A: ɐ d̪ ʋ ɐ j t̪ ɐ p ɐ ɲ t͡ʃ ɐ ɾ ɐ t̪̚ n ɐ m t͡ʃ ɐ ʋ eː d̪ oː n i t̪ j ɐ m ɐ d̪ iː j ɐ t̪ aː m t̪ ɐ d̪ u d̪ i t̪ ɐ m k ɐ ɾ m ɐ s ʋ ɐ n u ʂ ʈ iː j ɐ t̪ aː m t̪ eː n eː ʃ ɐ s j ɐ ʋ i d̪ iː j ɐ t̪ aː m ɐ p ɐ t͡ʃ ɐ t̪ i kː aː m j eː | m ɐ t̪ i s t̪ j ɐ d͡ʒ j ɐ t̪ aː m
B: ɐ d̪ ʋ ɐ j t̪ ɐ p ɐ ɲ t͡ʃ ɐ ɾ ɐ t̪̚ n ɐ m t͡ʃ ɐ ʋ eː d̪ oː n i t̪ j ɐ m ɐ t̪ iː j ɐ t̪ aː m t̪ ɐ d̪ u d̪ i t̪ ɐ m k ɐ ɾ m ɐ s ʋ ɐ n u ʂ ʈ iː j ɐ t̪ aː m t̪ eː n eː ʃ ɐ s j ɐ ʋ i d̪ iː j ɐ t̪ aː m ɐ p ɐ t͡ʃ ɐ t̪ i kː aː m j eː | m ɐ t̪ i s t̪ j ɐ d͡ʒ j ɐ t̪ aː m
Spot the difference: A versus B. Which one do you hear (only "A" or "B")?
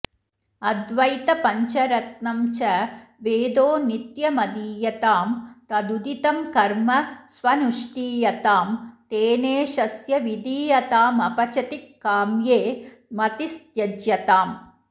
A